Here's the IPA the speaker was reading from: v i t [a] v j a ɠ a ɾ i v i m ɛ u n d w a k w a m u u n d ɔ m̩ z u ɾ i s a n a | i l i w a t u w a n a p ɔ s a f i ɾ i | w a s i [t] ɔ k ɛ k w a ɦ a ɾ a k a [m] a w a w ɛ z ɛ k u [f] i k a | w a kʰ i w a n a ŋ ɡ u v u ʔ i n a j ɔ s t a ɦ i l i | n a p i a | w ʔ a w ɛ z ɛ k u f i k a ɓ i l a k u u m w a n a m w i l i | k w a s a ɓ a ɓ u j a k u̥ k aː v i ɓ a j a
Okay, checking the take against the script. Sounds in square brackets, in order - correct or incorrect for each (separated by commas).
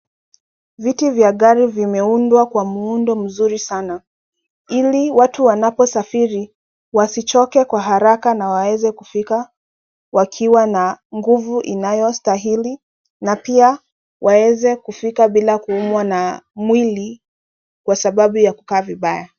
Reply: incorrect, incorrect, incorrect, correct